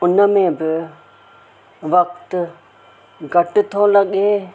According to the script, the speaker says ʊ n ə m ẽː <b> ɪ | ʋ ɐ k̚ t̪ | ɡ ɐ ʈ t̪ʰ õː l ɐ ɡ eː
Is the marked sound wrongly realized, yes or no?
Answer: no